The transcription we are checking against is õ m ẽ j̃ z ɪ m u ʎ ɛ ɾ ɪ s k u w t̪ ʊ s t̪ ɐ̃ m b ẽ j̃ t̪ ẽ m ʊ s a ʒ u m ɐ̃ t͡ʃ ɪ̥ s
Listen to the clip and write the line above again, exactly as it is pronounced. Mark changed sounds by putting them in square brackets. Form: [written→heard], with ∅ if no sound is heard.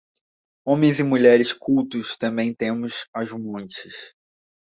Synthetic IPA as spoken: õ m ẽ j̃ z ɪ m u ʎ ɛ ɾ ɪ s k u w t̪ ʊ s t̪ ɐ̃ m b ẽ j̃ t̪ ẽ m ʊ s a ʒ u m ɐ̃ t͡ʃ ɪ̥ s